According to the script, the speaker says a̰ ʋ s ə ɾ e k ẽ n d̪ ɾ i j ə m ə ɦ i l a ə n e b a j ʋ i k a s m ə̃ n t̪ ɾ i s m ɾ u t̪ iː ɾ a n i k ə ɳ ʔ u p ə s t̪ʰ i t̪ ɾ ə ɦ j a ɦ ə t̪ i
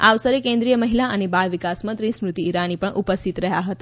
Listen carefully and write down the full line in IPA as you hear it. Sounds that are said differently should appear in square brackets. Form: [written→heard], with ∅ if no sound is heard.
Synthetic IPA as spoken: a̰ ʋ s ə ɾ e k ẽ n d̪ ɾ i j ə m ə ɦ i l a ə n e b a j ʋ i k a s m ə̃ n t̪ ɾ i s m ɾ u t̪ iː ɾ a n i [k→p] ə ɳ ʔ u p ə s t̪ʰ i t̪ ɾ ə ɦ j a ɦ ə t̪ [i→a]